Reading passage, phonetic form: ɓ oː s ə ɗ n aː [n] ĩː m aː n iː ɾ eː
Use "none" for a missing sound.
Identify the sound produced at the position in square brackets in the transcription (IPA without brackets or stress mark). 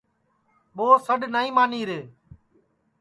none